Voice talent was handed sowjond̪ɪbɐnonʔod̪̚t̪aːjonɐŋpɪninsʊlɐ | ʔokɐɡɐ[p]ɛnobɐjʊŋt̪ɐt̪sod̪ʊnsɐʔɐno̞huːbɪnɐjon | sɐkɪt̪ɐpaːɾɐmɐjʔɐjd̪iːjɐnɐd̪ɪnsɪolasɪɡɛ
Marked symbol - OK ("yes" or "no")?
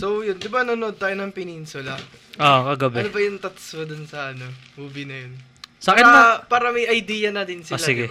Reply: no